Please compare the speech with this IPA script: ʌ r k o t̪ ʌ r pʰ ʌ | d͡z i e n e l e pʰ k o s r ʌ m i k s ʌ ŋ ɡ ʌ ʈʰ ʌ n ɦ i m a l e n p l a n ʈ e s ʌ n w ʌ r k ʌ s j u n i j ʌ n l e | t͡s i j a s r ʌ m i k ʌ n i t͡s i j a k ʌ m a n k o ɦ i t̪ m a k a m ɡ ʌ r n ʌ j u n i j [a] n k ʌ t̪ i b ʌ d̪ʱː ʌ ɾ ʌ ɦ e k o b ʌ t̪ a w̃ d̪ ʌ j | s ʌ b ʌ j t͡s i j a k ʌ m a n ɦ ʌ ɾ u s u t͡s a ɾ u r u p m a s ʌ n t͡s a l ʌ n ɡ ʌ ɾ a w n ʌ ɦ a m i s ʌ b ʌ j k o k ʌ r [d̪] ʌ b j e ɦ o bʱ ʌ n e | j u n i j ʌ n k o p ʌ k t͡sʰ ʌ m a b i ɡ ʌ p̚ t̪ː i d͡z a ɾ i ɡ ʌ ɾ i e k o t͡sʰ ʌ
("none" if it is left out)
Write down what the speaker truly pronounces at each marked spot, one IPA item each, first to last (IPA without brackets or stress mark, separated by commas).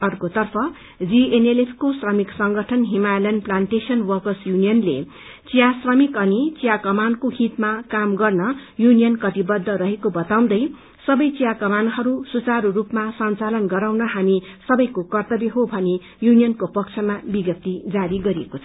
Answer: ʌ, t̪